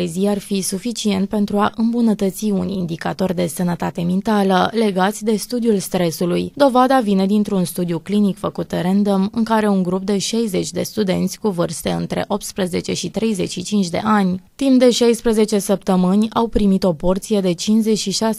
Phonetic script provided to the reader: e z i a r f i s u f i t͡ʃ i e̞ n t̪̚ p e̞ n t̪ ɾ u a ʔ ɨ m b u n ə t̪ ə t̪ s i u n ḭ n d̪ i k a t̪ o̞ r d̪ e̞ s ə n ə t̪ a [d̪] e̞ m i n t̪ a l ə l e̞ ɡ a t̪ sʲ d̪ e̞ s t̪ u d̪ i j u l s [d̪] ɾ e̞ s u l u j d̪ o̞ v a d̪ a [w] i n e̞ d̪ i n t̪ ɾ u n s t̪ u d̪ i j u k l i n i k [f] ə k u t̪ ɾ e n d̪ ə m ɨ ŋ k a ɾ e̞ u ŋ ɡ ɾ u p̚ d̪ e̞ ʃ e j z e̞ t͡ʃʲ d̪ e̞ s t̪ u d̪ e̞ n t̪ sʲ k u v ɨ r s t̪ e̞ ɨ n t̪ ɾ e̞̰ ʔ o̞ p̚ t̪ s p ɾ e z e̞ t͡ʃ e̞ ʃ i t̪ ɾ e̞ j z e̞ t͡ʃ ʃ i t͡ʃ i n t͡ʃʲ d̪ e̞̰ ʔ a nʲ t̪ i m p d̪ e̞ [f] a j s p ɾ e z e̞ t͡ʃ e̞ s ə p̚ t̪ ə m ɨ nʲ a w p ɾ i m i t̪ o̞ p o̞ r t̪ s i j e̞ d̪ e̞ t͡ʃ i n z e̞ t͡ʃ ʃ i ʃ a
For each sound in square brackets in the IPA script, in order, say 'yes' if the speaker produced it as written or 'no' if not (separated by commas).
no, no, no, yes, no